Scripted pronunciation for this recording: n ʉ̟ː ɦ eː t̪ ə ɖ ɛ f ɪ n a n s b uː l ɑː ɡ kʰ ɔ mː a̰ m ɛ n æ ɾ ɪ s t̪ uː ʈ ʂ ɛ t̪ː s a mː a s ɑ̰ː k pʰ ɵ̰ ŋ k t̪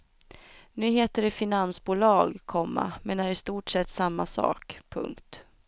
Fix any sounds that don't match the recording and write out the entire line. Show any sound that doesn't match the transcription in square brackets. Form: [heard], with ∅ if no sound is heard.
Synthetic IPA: n ʉ̟ː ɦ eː t̪ ə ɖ ɛ f ɪ n a n s b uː l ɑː ɡ kʰ ɔ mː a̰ m ɛ n æ ɾ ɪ s t̪ uː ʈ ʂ ɛ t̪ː s a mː a s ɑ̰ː k pʰ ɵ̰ ŋ k t̪